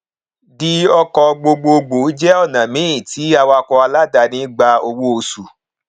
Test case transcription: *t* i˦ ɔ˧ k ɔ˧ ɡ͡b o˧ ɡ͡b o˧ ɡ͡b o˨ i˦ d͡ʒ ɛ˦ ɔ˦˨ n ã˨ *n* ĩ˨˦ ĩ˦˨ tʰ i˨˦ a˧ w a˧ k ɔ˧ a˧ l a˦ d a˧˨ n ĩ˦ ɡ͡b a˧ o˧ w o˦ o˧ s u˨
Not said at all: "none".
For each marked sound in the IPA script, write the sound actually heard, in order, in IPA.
d, m

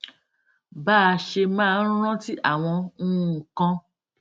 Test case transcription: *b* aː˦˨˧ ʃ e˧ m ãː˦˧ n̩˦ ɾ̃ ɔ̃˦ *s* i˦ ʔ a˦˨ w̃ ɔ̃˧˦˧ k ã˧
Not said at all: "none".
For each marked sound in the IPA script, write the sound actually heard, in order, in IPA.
b, t

